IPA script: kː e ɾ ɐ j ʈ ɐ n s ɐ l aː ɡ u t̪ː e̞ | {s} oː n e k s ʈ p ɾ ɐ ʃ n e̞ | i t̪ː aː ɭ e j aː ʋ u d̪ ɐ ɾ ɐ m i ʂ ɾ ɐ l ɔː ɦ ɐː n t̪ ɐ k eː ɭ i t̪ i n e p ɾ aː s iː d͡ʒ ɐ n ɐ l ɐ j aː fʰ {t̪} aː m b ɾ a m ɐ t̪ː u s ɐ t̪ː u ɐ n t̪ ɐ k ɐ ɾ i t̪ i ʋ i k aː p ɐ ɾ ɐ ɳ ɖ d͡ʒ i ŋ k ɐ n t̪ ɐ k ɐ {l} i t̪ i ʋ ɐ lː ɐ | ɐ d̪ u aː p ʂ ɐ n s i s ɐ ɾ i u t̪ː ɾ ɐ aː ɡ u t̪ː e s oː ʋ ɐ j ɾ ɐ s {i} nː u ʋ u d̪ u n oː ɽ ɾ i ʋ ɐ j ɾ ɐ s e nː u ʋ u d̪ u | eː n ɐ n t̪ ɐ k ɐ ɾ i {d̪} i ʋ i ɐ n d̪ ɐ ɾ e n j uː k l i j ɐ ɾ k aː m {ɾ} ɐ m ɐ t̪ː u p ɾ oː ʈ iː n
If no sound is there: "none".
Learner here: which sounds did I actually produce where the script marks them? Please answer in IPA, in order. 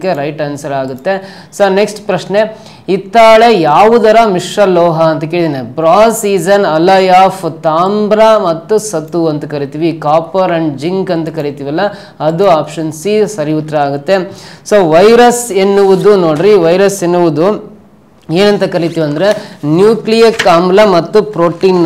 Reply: s, t̪, ɾ, e, t̪, l

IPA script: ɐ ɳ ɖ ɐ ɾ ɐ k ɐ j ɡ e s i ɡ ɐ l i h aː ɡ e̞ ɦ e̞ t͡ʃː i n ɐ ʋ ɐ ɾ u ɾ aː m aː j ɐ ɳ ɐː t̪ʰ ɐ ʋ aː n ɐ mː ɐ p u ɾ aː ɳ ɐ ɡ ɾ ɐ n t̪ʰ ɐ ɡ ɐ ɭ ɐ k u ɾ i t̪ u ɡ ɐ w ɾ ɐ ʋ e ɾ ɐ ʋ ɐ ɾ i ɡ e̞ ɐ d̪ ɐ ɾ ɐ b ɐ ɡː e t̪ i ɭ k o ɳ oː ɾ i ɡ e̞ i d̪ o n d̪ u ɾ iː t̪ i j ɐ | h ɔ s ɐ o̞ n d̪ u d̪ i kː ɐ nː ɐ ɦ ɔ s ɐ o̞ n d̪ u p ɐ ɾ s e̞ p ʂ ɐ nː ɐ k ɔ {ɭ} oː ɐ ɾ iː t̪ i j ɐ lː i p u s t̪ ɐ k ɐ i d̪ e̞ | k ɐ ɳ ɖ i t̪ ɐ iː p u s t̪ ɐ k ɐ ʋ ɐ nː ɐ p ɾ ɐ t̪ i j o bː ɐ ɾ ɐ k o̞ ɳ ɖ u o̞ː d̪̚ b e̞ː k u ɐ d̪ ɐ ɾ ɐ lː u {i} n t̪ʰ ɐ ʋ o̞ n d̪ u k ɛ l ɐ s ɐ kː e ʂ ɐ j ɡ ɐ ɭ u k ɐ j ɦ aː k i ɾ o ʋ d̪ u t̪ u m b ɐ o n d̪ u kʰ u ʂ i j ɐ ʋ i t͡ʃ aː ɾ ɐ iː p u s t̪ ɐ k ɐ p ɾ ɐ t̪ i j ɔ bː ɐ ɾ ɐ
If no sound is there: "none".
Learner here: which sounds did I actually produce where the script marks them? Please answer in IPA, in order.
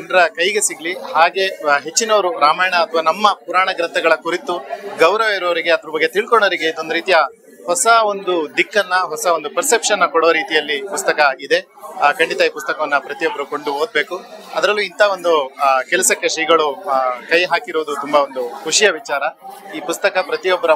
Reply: ɽ, i

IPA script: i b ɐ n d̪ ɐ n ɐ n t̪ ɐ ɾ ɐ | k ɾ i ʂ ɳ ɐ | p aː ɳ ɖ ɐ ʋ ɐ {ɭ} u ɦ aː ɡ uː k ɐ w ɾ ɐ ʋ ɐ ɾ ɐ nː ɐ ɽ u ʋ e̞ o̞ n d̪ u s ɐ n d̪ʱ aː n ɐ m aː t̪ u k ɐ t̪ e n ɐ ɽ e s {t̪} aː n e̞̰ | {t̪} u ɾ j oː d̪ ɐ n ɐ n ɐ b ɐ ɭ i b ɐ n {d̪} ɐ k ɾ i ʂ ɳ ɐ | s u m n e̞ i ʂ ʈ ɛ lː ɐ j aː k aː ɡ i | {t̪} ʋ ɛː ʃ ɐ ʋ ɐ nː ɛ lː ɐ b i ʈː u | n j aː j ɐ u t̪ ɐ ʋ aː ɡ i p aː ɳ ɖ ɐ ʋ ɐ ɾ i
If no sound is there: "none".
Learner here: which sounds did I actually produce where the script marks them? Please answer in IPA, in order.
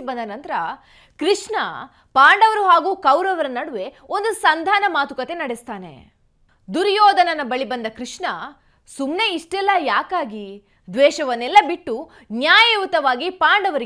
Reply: ɾ, t̪, d̪, d̪, d̪

